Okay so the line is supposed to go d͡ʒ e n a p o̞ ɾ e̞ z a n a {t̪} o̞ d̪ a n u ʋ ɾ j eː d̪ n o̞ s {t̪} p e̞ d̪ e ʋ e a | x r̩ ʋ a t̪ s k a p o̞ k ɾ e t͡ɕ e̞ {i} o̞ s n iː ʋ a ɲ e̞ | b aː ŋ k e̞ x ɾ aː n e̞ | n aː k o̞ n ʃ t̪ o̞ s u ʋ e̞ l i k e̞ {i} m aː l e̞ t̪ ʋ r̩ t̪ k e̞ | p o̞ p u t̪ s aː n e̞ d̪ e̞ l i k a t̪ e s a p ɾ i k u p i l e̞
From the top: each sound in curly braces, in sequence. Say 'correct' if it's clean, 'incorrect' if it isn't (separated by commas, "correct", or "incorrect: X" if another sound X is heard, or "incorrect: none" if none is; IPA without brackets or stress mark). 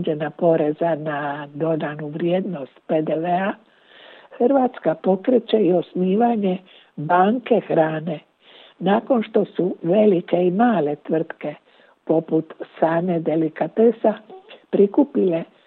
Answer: incorrect: d̪, correct, correct, correct